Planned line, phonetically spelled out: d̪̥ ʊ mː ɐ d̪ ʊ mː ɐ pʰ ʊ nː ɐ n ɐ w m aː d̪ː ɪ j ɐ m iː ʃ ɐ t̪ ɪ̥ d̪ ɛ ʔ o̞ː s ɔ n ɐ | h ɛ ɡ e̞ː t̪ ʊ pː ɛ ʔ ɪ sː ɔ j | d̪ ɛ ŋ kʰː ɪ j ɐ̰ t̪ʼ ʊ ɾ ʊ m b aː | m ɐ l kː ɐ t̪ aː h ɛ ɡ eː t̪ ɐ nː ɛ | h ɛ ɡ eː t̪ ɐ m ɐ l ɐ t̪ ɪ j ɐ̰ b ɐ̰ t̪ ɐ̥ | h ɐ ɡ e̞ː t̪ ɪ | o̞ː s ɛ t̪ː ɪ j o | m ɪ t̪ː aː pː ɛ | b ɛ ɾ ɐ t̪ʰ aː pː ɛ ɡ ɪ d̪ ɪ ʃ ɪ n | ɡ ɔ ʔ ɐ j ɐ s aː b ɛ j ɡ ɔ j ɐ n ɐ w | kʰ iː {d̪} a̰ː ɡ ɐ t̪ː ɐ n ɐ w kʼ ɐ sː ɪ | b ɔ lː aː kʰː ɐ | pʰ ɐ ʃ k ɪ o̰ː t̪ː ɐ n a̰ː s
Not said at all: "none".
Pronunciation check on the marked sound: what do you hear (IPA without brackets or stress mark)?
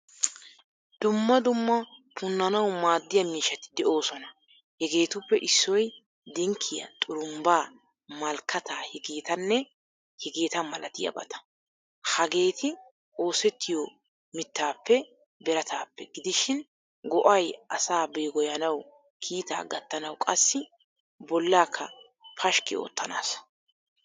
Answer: t̪